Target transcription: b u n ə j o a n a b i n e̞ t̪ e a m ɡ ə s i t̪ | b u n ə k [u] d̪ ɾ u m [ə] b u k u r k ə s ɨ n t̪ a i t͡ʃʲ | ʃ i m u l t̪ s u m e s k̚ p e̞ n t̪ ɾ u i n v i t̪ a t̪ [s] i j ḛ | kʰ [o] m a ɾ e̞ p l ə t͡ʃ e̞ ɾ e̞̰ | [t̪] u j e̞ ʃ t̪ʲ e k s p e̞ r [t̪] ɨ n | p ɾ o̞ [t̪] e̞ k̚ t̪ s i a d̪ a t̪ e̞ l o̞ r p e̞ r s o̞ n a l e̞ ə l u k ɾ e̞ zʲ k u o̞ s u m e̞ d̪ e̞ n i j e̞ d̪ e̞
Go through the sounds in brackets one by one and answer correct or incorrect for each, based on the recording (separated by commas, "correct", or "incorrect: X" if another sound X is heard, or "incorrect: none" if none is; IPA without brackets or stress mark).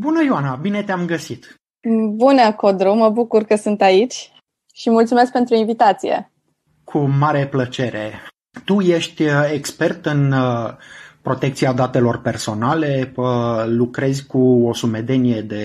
incorrect: o, correct, correct, incorrect: u, correct, correct, correct